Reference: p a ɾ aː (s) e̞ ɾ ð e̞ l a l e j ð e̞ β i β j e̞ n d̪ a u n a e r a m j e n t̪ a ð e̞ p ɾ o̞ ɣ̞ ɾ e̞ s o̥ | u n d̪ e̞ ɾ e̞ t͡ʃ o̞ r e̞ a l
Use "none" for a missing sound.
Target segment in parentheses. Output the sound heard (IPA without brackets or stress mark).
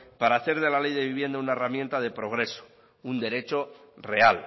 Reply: θ